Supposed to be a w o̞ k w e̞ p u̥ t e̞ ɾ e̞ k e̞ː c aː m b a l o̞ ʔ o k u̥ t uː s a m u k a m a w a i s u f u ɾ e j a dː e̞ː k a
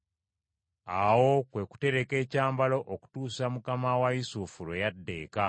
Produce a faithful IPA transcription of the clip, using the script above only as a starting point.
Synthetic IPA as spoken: a w o̞ k w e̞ k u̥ t e̞ ɾ e̞ k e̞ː c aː m b a l o̞ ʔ o k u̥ t uː s a m u k a m a w a i s u f u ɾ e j a dː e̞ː k a

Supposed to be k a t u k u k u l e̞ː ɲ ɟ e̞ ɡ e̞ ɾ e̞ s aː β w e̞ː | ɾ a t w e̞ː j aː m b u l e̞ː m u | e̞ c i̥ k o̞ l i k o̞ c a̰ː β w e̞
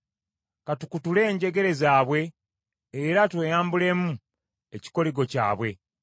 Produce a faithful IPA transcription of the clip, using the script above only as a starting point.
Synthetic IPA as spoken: k a t u k u t u l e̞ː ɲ ɟ e̞ ɡ e̞ ɾ e̞ z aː β w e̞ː | ɾ a t w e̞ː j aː m b u l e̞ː m u | e̞ c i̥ k o̞ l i ɡ o̞ c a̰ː β w e̞

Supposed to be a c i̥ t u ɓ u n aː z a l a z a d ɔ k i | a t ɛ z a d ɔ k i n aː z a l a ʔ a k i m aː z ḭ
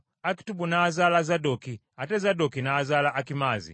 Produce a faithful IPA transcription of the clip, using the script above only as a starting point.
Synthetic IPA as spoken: a k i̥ t u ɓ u n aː z a l a z a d ɔ k i | a t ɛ z a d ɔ k i n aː z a l a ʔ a k i m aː z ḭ

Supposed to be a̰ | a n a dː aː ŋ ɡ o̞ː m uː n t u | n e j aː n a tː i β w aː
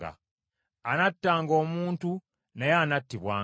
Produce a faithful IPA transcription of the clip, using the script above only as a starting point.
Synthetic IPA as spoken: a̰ | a n a tː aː ŋ ɡ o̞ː m uː n t u | n e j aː n a tː i β w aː

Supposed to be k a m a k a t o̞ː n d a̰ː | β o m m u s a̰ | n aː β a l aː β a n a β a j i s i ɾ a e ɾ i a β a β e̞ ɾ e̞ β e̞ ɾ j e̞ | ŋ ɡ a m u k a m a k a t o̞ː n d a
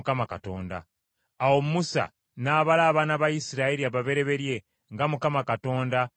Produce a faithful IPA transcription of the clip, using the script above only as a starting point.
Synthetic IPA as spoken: k a m a k a t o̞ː n d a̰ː | w o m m u s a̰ | n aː β a l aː β a n a β a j i s i ɾ a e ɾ i a β a β e̞ ɾ e̞ β e̞ ɾ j e̞ | ŋ ɡ a m u k a m a k a t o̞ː n d a

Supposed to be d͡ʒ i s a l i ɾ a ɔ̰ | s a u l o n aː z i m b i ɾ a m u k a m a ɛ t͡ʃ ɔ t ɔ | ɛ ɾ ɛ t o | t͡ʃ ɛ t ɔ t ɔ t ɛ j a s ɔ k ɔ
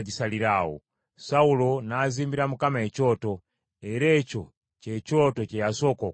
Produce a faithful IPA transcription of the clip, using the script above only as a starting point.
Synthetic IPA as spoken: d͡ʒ i s a l i ɾ a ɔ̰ | s a u l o n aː z i m b i ɾ a m u k a m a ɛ t͡ʃ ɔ t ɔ | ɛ ɾ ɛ t͡ʃ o | t͡ʃ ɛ t͡ʃ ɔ t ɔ t͡ʃ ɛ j a s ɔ k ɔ

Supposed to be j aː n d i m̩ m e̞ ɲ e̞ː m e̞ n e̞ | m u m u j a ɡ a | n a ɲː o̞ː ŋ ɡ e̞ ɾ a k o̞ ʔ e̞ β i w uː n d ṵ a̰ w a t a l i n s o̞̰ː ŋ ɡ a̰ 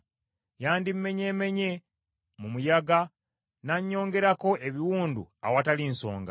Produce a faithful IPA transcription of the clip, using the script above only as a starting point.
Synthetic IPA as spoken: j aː n d i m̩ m e̞ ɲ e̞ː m e̞ ɲ e̞ | m u m u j a ɡ a | n a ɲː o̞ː ŋ ɡ e̞ ɾ a k o̞ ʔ e̞ β i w uː n d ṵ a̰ w a t a l i n s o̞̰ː ŋ ɡ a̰

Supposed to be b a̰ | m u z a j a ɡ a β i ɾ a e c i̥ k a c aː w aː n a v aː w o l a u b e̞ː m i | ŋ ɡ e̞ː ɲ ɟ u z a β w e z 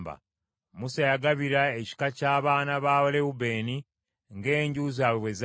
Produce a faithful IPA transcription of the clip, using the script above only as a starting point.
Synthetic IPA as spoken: b a̰ | m u s a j a ɡ a β i ɾ a e c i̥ k a c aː β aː n a β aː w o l e u b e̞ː n i | ŋ ɡ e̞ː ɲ ɟ u z a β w e z

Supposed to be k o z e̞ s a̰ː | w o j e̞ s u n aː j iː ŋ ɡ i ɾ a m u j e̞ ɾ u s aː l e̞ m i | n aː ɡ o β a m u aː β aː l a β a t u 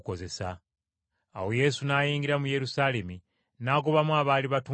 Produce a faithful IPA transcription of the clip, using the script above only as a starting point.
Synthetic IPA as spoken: k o z e̞ s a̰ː | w o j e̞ s u n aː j iː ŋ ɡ i ɾ a m u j e̞ ɾ u s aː l e̞ m i | n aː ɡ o β a m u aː β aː l i β a t u

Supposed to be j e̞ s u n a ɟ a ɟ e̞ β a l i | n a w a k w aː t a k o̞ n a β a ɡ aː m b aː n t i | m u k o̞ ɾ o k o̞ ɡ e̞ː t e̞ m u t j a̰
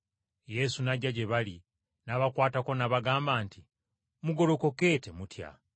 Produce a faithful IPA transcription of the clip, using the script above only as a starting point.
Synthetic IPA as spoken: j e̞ s u n a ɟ a ɟ e̞ β a l i | n a β a k w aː t a k o̞ n a β a ɡ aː m b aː n t i | m u ɡ o̞ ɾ o k o̞ k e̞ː t e̞ m u t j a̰

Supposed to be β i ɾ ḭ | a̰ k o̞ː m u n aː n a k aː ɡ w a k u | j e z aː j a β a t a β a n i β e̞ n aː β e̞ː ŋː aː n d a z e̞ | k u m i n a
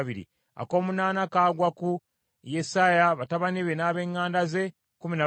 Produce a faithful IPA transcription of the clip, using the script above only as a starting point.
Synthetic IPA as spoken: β i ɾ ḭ | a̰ k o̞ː m u n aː n a k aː ɡ w a k u | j e s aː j a β a t a β a n i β e̞ n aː β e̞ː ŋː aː n d a z e̞ | k u m i n a

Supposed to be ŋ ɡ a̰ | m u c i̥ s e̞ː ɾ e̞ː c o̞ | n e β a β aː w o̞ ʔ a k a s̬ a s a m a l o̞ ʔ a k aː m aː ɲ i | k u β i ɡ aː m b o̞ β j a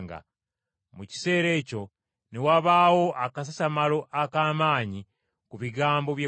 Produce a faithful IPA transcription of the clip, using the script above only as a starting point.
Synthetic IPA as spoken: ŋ ɡ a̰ | m u c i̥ s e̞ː ɾ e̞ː c o̞ | n e w a β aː w o̞ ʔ a k a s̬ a s a m a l o̞ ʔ a k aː m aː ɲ i | k u β i ɡ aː m b o̞ β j e

